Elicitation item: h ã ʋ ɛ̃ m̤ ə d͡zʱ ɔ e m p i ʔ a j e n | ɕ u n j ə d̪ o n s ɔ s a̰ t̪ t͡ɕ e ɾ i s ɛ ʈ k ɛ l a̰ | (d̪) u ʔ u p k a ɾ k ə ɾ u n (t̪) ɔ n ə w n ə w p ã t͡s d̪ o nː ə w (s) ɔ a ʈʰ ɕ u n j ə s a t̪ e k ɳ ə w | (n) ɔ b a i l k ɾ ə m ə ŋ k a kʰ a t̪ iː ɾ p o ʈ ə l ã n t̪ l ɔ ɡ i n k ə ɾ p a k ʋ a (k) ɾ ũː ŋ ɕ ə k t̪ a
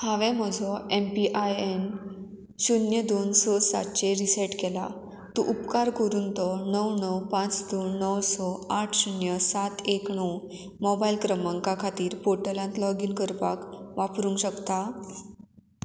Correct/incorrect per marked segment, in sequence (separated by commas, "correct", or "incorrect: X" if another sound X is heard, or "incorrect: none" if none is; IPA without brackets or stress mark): incorrect: t̪, correct, correct, incorrect: m, incorrect: p